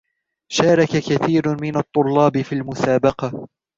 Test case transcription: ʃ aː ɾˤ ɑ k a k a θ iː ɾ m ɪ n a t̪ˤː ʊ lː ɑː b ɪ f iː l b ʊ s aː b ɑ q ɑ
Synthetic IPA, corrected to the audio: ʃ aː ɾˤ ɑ k a k a θ iː ɾ m ɪ n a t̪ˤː ʊ lː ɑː b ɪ f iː l m ʊ s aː b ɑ q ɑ